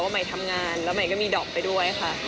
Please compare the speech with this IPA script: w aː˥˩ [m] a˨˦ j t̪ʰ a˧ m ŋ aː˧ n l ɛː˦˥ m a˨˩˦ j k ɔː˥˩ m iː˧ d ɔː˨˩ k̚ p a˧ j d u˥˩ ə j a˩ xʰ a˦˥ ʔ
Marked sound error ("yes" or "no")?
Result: no